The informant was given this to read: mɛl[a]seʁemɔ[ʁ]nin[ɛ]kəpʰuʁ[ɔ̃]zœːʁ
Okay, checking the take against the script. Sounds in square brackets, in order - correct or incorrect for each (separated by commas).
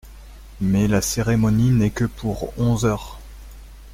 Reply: correct, incorrect, correct, correct